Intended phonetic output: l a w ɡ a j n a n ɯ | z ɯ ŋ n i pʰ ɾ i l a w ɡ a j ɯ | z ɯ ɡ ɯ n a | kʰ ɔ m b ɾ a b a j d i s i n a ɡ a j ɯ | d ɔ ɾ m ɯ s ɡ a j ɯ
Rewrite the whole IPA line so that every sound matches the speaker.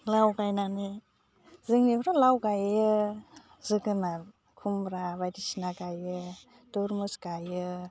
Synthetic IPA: l a w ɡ a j n a n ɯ | z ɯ ŋ n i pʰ ɾ a l a w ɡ a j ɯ | z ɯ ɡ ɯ n a | kʰ u m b ɾ a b a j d i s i n a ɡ a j ɯ | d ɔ ɾ m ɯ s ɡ a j ɯ